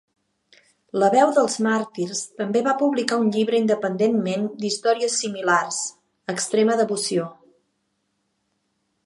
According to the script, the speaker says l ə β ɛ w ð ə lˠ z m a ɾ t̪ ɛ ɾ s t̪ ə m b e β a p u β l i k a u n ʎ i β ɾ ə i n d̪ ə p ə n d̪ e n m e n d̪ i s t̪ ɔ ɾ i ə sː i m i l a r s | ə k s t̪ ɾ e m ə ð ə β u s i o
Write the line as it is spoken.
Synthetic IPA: l ə β ɛ w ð ə lˠ z m a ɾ t̪ i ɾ s t̪ ə m b e β a p u β l i k a u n ʎ i β ɾ ə i n d̪ ə p ə n d̪ e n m e n d̪ i s t̪ ɔ ɾ i ə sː i m i l a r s | ə k s t̪ ɾ e m ə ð ə β u s i o